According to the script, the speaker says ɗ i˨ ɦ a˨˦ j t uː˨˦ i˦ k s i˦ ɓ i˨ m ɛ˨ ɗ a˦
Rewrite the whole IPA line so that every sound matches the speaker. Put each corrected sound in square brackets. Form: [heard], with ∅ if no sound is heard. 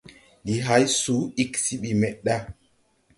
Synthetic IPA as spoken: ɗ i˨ ɦ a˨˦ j [s] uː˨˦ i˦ k s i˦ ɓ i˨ m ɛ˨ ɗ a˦